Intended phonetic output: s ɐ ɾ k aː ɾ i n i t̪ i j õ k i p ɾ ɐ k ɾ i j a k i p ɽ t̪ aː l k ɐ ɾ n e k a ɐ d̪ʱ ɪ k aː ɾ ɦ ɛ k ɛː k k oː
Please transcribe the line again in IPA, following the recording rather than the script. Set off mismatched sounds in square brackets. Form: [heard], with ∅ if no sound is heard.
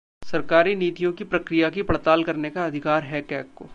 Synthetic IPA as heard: s ɐ ɾ k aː ɾ i n [iː] t̪ i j õ k i p ɾ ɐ k ɾ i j a k i p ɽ t̪ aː l k ɐ ɾ n e k a ɐ d̪ʱ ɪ k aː ɾ ɦ ɛ k ɛː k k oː

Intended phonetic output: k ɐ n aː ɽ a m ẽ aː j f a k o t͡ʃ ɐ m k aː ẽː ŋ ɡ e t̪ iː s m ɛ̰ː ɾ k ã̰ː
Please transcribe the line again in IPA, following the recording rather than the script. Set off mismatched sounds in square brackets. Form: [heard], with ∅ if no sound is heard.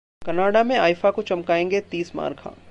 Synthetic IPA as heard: k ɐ n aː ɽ a m ẽ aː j f a k o t͡ʃ ɐ m k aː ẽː ŋ ɡ e t̪ iː s m [a̰ː] ɾ [kʰ] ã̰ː

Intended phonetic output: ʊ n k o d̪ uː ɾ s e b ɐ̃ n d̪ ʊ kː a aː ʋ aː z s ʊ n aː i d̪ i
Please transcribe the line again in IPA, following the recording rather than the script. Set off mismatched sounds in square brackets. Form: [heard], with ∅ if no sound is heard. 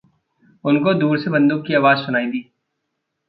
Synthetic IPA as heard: ʊ n k o d̪ uː ɾ s e b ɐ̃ n d̪ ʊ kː [i] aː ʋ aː z s ʊ n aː i d̪ [iː]

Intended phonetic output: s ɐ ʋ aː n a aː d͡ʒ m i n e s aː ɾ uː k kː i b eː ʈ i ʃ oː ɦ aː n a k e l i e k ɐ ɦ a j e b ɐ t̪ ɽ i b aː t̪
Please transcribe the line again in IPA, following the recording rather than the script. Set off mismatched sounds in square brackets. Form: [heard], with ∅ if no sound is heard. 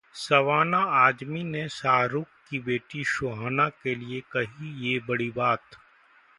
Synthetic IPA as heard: s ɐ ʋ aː n a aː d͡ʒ m i n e s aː ɾ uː k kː i b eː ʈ i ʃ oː ɦ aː n a k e l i e k ɐ ɦ [i] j e b ɐ [∅] ɽ i b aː t̪

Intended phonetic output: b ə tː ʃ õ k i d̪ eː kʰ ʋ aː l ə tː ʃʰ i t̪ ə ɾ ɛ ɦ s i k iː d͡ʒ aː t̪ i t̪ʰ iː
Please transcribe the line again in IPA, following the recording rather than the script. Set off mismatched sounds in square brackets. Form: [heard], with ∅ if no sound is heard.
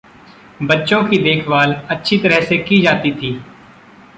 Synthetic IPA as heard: b ə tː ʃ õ k i d̪ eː kʰ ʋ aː l ə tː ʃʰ i t̪ ə ɾ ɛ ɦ s [e] k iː d͡ʒ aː t̪ i t̪ʰ iː

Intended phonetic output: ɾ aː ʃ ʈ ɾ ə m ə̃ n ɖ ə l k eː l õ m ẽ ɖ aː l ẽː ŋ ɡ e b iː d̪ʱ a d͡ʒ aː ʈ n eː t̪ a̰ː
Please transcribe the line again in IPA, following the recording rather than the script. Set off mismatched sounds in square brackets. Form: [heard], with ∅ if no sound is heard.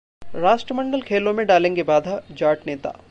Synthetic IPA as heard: ɾ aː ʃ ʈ ɾ ə m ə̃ [ɳ] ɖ ə l [kʰ] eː l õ m ẽ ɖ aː l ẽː ŋ ɡ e b [aː] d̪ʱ a d͡ʒ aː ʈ n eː t̪ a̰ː

